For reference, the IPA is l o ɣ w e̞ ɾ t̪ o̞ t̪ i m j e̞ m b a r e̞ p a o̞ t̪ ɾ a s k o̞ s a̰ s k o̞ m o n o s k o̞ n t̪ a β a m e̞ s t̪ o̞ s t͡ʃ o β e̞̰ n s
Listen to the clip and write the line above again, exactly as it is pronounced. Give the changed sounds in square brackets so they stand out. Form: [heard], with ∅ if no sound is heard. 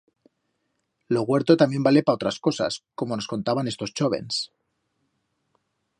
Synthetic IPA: l o ɣ w e̞ ɾ t̪ o̞ t̪ [a] m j e̞ m b a [l] e̞ p a o̞ t̪ ɾ a s k o̞ s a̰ s k o̞ m o n o s k o̞ n t̪ a β a [n] e̞ s t̪ o̞ s t͡ʃ o β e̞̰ n s